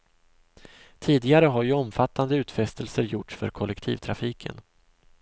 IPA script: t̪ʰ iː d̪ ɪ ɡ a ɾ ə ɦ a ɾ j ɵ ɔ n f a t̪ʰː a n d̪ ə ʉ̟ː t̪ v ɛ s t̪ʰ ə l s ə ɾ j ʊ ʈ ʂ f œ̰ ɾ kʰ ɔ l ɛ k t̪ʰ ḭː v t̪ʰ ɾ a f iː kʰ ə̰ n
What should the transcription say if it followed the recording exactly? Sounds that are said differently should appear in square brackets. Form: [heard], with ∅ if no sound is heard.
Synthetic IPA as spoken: t̪ʰ iː d̪ ɪ ɡ a ɾ ə ɦ a ɾ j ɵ ɔ [m] f a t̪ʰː a n d̪ ə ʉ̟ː t̪ [f] ɛ s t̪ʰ ə l s ə ɾ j ʊ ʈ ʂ f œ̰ ɾ kʰ ɔ l ɛ k t̪ʰ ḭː v t̪ʰ ɾ a f iː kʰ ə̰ n